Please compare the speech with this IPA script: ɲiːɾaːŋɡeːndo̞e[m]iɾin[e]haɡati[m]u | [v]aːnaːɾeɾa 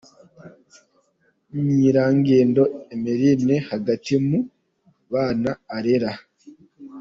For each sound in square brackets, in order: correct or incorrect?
correct, correct, correct, incorrect

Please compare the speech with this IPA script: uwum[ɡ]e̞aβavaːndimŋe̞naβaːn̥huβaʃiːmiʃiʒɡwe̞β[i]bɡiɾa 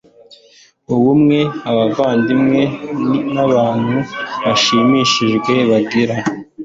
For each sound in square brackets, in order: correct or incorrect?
incorrect, incorrect

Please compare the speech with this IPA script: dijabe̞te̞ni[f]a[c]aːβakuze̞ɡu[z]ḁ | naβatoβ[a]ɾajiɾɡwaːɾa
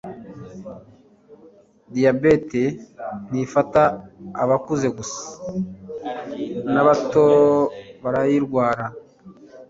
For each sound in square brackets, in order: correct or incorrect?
correct, incorrect, incorrect, correct

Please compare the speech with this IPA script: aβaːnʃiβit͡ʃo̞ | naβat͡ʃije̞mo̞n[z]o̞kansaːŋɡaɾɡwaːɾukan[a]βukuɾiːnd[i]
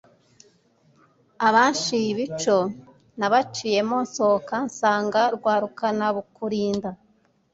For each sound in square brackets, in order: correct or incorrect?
incorrect, correct, incorrect

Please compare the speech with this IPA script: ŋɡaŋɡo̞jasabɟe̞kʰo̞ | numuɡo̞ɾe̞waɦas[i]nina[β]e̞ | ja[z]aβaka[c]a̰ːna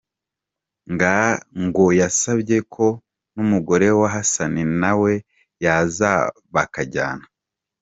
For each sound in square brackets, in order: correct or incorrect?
incorrect, incorrect, correct, incorrect

